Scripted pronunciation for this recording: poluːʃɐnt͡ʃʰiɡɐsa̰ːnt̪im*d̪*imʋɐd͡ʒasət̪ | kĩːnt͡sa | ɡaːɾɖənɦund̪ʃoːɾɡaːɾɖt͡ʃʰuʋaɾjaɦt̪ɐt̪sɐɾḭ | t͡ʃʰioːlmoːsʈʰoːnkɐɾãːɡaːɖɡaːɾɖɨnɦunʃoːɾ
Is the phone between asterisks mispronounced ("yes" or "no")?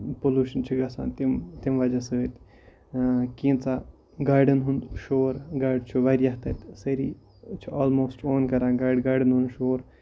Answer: yes